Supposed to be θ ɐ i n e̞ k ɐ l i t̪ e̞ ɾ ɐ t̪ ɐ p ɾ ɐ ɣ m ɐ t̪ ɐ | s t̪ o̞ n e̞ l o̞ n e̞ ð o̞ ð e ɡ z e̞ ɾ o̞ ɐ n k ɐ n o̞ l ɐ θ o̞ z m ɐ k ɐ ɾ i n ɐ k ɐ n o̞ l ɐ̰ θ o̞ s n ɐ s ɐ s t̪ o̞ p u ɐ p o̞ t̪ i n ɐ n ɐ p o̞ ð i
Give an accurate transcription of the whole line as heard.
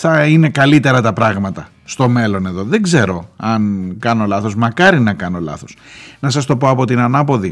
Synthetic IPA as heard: θ ɐ i n e̞ k ɐ l i t̪ e̞ ɾ ɐ t̪ ɐ p ɾ ɐ ɣ m ɐ t̪ ɐ | s t̪ o̞ m e̞ l o̞ n e̞ ð o̞ ð e ɡ z e̞ ɾ o̞ ɐ n k ɐ n o̞ l ɐ θ o̞ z m ɐ k ɐ ɾ i n ɐ k ɐ n o̞ l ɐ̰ θ o̞ s n ɐ s ɐ s t̪ o̞ p o ɐ p o̞ t̪ i n ɐ n ɐ p o̞ ð i